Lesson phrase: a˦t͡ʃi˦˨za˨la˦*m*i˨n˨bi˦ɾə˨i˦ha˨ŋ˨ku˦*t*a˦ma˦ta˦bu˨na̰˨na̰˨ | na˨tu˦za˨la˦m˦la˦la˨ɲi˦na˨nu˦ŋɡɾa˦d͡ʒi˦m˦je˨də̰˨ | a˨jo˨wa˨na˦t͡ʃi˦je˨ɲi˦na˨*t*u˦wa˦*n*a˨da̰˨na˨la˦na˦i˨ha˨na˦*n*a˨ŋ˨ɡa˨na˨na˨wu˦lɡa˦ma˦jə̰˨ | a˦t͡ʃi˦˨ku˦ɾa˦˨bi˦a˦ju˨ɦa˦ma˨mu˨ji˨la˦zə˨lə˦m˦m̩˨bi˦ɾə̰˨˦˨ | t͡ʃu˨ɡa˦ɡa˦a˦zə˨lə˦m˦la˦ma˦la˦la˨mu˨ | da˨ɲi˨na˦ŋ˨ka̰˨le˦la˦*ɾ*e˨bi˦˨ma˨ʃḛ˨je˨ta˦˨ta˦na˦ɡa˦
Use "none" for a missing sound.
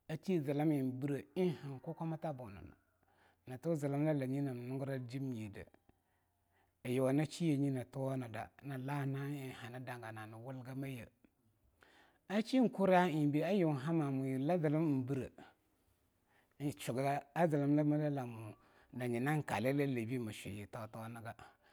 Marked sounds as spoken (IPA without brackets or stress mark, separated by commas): m, k, t, n, d, l